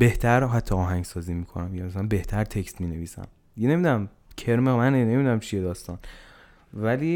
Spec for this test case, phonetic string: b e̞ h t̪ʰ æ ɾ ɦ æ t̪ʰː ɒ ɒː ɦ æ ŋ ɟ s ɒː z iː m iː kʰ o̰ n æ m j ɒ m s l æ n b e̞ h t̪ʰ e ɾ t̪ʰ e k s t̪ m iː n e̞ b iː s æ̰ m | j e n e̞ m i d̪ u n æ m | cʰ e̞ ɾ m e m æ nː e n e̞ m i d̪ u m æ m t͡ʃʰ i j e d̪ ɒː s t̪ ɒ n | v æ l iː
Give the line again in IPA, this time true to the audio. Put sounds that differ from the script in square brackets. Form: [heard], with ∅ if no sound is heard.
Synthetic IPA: b e̞ h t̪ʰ æ ɾ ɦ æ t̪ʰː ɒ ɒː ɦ æ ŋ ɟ s ɒː z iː m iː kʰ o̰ n æ m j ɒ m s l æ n b e̞ h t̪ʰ [æ] ɾ t̪ʰ e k s t̪ m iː n e̞ [v] iː s æ̰ m | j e n e̞ m i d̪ u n æ m | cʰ e̞ ɾ m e m æ [n] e n e̞ m i d̪ u [n] æ m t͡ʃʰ i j e d̪ ɒː s t̪ ɒ n | v æ l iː